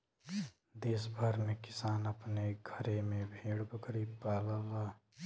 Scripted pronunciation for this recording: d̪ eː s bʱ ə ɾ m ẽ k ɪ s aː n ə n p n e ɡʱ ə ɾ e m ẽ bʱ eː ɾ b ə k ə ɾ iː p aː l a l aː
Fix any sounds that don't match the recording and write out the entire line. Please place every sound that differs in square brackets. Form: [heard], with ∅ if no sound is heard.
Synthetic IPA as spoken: d̪ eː s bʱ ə ɾ m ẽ k ɪ s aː n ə [∅] p n e ɡʱ ə ɾ e m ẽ bʱ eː [ɽ] b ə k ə ɾ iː p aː l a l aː